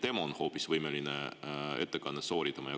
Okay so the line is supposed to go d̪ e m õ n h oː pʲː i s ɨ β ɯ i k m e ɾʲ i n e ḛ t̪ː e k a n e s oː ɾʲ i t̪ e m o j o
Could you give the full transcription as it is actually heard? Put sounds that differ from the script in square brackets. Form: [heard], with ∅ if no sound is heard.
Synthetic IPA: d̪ e m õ n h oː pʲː i s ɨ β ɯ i [∅] m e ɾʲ i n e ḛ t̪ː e k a n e s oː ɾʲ i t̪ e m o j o